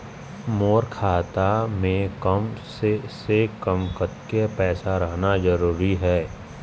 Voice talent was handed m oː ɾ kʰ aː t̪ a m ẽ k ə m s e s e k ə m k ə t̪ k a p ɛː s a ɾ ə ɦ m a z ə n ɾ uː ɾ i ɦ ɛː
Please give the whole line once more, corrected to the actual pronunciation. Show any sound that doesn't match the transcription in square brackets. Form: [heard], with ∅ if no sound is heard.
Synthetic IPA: m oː ɾ kʰ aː t̪ a m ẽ k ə m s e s e k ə m k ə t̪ k [e] p ɛː s a ɾ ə ɦ [n] a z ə [∅] ɾ uː ɾ i ɦ ɛː